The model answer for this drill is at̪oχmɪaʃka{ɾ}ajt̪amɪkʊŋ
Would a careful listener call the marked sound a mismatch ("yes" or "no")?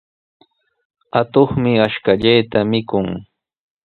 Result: yes